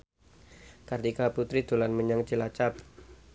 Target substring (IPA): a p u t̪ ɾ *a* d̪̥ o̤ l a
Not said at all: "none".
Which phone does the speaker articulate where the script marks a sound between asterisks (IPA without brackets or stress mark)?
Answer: i